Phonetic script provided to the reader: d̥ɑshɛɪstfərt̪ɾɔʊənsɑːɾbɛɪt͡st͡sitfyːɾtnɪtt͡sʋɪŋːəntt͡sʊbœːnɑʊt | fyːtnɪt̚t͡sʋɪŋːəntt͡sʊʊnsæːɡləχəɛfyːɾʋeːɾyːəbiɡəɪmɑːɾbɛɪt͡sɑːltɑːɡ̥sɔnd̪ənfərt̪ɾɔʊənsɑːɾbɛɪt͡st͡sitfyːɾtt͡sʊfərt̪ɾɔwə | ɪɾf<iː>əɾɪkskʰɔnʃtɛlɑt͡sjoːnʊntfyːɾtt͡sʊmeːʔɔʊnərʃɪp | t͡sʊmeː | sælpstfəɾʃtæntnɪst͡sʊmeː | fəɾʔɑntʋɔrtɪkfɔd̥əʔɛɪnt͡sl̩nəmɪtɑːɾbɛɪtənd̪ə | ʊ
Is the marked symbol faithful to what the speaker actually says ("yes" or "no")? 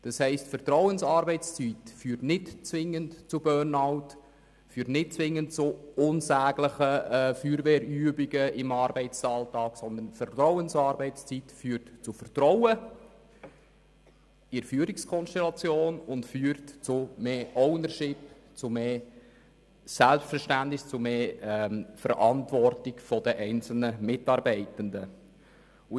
no